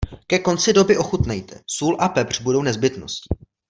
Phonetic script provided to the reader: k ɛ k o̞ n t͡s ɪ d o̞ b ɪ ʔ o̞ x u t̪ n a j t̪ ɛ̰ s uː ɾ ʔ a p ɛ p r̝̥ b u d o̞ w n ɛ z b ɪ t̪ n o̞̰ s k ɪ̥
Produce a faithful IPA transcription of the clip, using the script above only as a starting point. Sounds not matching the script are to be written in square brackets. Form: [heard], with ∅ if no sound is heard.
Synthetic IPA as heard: k ɛ k o̞ n t͡s ɪ d o̞ b ɪ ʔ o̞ x u t̪ n [ɛ] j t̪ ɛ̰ s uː [l] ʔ a p ɛ p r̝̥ b u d o̞ w n ɛ z b ɪ t̪ n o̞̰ s [c] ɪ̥